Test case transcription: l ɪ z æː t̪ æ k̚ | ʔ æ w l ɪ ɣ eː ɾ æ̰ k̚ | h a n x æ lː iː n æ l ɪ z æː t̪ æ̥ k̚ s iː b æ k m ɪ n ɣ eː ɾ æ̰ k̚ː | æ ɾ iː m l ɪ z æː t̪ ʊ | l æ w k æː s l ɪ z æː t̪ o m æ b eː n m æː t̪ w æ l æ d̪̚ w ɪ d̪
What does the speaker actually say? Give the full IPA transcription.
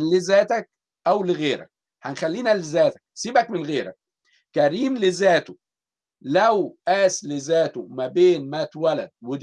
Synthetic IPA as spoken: l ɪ z æː t̪ æ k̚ | ʔ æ w l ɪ ɣ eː ɾ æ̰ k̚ | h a n x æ lː iː n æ l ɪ z æː t̪ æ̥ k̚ s iː b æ k m ɪ n ɣ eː ɾ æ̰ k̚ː | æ ɾ iː m l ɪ z æː t̪ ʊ | l æ w ʔ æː s l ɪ z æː t̪ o m æ b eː n m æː t̪ w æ l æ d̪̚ w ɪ d̪